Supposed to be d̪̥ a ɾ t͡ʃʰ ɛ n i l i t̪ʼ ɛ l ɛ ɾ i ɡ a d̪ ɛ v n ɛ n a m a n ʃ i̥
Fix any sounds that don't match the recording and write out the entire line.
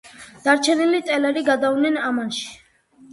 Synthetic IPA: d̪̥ a ɾ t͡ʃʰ ɛ n i l i t̪ʼ ɛ l ɛ ɾ i ɡ a d̪ a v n ɛ n a m a n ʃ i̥